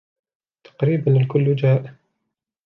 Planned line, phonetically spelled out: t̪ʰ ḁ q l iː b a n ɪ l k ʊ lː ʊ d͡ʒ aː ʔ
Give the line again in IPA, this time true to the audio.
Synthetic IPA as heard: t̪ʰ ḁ q ɾ iː b a n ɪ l k ʊ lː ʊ d͡ʒ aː ʔ

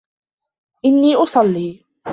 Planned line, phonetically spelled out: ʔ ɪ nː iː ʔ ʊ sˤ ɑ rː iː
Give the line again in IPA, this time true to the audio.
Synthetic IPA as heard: ʔ ɪ nː iː ʔ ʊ sˤ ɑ lː iː

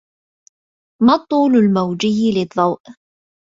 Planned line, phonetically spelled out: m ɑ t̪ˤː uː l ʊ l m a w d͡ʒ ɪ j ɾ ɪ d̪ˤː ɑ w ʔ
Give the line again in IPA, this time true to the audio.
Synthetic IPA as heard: m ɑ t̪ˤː uː l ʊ l m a w d͡ʒ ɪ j l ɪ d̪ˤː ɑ w ʔ

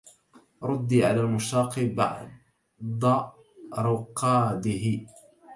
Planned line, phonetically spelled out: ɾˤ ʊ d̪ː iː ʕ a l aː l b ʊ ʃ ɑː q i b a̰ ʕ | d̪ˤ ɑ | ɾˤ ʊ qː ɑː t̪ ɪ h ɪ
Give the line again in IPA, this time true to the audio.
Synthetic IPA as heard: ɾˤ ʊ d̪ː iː ʕ a l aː l m ʊ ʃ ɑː q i b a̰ ʕ | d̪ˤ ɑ | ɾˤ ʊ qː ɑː d̪ ɪ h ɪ

